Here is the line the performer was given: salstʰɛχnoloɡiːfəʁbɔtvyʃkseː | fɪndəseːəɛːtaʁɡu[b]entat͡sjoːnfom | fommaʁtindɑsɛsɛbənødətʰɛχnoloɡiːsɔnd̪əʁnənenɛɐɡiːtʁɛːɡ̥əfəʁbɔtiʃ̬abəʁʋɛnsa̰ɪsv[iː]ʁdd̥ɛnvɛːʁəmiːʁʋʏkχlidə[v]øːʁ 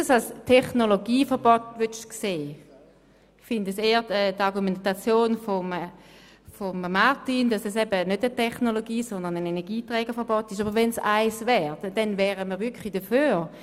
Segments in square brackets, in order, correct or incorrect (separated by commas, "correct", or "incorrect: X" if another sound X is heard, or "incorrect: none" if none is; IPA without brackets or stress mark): incorrect: m, incorrect: ɛː, incorrect: f